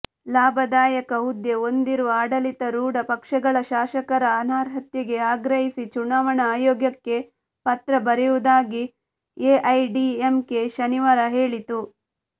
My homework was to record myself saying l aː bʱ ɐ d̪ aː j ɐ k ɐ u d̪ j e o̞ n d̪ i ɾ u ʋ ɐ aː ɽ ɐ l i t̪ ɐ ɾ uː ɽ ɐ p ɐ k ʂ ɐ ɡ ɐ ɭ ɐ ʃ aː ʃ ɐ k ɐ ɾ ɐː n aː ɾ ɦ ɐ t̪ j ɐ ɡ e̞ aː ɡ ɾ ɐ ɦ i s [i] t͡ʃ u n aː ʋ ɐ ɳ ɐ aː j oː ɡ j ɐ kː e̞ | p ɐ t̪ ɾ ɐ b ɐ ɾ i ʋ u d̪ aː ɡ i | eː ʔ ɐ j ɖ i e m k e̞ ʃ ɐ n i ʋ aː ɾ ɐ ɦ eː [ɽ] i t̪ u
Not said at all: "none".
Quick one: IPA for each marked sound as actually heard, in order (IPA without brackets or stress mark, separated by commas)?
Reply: i, ɭ